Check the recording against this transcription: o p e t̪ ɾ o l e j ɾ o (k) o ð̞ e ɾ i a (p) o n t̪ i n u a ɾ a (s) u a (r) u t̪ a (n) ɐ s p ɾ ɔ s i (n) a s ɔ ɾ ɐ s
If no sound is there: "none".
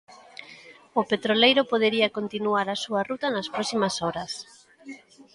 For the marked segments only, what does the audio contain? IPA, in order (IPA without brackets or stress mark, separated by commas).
p, k, s, r, n, m